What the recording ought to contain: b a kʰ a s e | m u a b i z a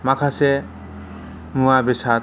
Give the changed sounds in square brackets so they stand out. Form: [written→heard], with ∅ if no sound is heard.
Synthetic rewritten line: [b→m] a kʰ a s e | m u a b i [z→s] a